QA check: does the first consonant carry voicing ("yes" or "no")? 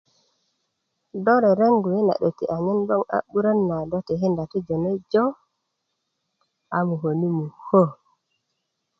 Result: yes